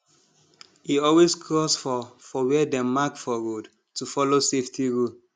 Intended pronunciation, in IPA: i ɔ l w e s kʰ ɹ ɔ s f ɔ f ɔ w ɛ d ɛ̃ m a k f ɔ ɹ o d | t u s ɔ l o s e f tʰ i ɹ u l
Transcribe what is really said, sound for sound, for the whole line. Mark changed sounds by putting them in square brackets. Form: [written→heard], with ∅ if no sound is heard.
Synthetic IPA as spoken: i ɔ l w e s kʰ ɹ ɔ s f ɔ f ɔ w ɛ d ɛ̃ m a k f ɔ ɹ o d | t u [s→f] ɔ l o s e f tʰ i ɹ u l